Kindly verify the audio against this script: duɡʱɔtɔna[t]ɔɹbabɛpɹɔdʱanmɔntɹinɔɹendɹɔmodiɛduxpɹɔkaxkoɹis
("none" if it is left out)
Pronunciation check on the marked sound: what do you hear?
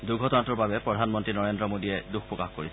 t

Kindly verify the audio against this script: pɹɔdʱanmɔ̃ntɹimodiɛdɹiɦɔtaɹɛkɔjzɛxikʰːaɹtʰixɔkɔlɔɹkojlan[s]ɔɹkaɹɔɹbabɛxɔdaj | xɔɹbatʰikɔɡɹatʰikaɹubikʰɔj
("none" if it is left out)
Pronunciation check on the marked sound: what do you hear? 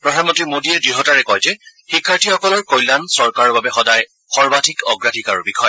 s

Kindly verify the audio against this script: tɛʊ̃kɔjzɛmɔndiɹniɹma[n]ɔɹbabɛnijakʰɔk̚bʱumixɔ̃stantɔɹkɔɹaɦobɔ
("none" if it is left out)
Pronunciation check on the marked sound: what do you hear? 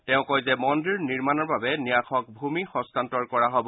n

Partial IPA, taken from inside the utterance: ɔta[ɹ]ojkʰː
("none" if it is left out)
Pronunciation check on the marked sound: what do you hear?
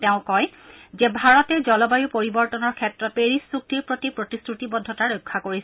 ɹ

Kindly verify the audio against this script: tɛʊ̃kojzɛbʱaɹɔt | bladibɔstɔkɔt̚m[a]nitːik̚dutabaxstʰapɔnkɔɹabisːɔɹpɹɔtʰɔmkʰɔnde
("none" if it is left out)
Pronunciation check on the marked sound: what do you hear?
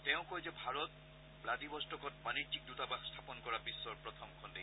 a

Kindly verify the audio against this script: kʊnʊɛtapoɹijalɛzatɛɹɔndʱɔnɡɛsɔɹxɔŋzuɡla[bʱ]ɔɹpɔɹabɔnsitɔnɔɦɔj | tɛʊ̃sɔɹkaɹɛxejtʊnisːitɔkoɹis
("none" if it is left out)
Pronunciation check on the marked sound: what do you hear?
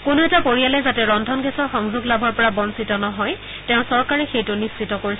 bʱ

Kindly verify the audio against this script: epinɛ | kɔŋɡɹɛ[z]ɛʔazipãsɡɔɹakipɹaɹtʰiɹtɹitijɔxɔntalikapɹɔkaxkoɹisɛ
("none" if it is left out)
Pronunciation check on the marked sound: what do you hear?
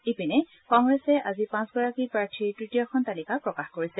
s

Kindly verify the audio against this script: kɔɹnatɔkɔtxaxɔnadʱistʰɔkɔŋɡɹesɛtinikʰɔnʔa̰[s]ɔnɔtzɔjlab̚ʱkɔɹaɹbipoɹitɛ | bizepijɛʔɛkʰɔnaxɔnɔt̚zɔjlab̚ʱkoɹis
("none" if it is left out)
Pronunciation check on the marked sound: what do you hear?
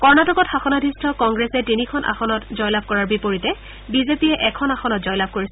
x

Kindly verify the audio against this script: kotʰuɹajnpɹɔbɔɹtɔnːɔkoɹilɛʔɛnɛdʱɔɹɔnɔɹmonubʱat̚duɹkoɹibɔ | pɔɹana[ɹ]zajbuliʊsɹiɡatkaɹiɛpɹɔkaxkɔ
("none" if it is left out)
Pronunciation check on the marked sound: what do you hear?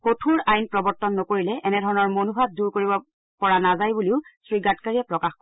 none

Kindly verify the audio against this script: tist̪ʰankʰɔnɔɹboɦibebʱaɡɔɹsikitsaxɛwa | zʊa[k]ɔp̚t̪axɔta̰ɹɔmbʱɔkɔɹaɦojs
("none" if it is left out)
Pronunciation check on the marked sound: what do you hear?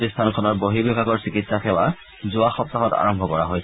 x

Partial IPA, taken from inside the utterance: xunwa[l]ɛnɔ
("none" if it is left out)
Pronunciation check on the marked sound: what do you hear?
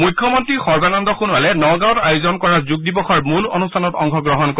l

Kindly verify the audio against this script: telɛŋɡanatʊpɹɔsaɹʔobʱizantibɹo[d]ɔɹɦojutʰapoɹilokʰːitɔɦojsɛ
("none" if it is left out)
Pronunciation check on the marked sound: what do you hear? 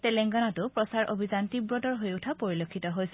d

